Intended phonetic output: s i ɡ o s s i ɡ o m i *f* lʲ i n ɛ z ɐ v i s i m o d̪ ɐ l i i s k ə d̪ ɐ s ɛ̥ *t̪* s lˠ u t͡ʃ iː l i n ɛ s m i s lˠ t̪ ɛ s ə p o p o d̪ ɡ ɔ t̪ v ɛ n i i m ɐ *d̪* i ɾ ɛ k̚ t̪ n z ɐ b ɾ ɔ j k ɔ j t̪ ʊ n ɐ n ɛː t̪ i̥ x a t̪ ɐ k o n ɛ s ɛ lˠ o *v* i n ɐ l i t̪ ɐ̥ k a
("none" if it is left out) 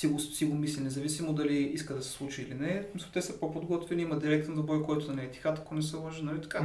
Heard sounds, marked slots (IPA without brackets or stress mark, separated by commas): s, none, d̪, ʒ